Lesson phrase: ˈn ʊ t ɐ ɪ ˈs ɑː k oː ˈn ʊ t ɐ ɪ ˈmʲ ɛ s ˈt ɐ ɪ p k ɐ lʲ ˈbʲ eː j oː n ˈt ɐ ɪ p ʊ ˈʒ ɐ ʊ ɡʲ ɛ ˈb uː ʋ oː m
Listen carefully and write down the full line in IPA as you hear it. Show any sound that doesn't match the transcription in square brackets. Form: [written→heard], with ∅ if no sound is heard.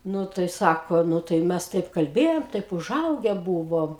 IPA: ˈn ʊ t ɐ ɪ ˈs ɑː k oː ˈn ʊ t ɐ ɪ ˈmʲ ɛ s ˈt ɐ ɪ p k ɐ lʲ ˈbʲ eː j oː [n→m] ˈt ɐ ɪ p ʊ ˈʒ ɐ ʊ ɡʲ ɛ ˈb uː ʋ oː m